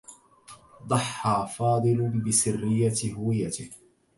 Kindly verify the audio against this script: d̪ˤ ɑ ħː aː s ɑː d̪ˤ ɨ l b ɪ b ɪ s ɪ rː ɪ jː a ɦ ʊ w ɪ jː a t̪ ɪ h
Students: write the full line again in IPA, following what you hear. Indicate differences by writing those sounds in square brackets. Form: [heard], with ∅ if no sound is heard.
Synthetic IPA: d̪ˤ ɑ ħː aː [f] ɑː d̪ˤ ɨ l b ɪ b ɪ s ɪ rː ɪ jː a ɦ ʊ w ɪ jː a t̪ ɪ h